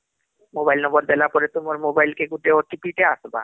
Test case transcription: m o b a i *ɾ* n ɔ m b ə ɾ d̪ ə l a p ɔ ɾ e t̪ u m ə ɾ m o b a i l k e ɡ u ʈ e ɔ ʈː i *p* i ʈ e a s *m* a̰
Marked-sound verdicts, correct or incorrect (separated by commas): incorrect, correct, incorrect